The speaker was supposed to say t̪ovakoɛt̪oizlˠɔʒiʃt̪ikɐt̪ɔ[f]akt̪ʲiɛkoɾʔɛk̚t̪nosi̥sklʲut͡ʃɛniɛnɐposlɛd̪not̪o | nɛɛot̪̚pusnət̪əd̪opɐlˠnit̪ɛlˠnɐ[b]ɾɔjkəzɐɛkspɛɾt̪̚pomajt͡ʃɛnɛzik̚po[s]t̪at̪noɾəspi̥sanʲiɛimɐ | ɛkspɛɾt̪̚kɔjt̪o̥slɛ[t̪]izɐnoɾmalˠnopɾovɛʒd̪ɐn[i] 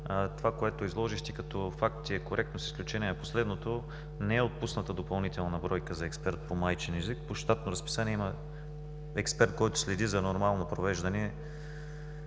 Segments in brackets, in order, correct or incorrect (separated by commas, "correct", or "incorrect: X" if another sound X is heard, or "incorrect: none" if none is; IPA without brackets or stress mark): correct, correct, incorrect: ʃ, incorrect: d̪, incorrect: ɛ